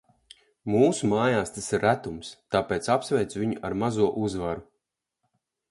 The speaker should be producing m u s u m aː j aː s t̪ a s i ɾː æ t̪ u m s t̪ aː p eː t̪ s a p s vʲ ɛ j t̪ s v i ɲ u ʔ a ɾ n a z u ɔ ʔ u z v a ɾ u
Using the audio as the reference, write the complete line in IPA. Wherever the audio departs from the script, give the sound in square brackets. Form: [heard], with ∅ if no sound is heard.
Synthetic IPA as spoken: m [uː] s u m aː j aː s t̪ a s i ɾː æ t̪ u m s t̪ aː p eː t̪ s a p s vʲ ɛ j t̪ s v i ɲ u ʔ a ɾ [m] a z u ɔ ʔ u z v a ɾ u